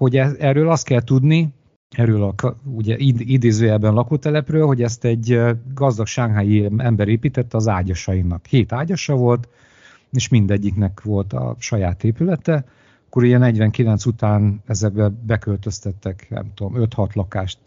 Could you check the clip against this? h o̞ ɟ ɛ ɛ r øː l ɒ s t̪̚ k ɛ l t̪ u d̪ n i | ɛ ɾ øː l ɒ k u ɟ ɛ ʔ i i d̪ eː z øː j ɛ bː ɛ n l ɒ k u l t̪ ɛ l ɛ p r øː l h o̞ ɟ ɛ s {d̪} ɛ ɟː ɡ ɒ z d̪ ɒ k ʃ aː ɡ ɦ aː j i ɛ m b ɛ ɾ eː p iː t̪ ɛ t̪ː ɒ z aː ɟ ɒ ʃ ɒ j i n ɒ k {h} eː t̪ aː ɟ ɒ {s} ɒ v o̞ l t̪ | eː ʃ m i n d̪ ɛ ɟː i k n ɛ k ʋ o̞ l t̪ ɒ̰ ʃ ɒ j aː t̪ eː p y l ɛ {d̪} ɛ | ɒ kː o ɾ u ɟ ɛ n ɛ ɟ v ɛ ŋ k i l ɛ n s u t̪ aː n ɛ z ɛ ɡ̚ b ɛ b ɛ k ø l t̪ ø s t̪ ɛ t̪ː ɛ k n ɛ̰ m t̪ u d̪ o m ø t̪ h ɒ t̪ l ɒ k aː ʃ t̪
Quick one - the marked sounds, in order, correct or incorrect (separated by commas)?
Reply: incorrect, correct, incorrect, incorrect